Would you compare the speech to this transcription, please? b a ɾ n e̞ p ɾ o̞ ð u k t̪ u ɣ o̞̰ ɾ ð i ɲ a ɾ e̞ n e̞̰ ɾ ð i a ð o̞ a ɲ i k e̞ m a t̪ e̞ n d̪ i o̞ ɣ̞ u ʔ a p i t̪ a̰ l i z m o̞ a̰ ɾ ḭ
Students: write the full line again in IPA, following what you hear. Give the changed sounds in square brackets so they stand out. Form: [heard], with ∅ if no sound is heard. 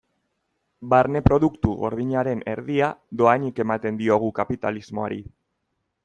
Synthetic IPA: b a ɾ n e̞ p ɾ o̞ ð u k t̪ u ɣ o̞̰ ɾ ð i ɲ a ɾ e̞ n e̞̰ ɾ ð i a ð o̞ a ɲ i k e̞ m a t̪ e̞ n d̪ i o̞ ɣ̞ u [k] a p i t̪ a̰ l i z m o̞ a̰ ɾ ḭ